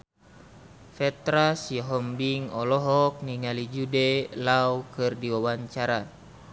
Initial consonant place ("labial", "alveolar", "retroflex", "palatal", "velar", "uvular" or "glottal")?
labial